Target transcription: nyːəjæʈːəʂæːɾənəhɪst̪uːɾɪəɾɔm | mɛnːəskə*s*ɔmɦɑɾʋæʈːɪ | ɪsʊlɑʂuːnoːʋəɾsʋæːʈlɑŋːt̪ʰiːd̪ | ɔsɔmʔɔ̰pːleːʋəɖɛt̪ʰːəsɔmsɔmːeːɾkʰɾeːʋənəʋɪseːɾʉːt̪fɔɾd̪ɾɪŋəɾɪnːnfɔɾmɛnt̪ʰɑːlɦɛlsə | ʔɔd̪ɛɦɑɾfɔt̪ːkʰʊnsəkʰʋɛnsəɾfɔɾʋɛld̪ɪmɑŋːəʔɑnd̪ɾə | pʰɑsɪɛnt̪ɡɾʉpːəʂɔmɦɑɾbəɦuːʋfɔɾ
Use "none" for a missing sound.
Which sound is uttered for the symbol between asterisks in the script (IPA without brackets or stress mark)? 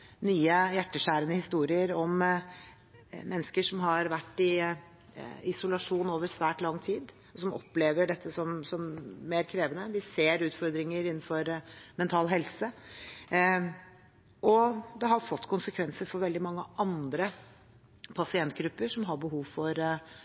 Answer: ʂ